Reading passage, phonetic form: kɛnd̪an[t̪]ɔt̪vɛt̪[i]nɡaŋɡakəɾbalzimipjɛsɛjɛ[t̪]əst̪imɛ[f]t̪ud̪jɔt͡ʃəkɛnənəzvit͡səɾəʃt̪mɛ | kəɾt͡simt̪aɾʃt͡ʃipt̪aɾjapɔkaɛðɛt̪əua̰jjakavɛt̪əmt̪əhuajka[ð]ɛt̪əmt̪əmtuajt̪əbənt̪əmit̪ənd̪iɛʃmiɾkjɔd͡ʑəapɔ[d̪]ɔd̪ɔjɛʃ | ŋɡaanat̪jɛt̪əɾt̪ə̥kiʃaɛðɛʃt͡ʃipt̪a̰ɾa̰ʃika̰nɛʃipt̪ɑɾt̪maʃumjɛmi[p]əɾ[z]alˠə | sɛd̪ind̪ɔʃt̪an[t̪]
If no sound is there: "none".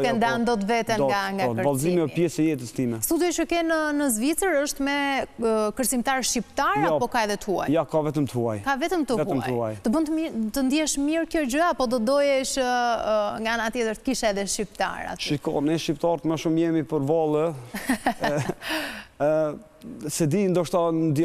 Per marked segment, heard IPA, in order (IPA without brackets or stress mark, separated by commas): d̪, ɛ, t̪, s, v, d̪, p, v, d̪